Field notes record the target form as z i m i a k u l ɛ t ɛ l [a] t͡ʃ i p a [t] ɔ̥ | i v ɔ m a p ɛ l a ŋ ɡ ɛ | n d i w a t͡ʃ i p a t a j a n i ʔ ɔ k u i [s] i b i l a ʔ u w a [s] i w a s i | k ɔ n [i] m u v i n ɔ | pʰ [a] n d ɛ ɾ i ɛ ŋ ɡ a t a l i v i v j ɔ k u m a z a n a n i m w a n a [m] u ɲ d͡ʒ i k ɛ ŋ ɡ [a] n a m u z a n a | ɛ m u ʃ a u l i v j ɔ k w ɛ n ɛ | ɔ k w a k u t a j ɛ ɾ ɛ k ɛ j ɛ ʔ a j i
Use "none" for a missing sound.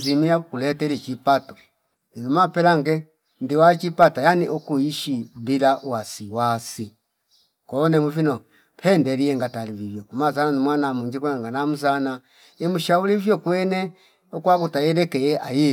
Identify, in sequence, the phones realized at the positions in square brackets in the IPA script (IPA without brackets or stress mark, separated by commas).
i, t, ʃ, s, ɛ, ɛ, m, a